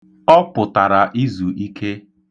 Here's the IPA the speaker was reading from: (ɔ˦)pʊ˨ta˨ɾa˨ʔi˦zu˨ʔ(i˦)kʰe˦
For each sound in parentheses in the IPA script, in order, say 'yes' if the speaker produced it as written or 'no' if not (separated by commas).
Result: yes, yes